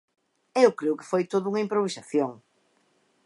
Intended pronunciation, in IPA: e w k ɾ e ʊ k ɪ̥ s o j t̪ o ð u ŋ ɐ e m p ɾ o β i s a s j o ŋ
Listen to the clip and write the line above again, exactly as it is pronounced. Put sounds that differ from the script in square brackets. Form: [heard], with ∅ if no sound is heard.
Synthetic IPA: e w k ɾ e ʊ k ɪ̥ [f] o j t̪ o ð u ŋ ɐ [i] m p ɾ o β i s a [θ] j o ŋ